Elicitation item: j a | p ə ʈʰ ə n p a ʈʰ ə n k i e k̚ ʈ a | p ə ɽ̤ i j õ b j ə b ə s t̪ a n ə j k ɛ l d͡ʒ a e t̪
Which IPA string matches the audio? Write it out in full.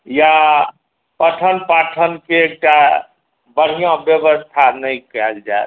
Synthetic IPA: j a | p ə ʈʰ ə n p a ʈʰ ə n k e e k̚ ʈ a | b ə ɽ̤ i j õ b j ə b ə s t̪ʰ a n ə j k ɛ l d͡ʒ a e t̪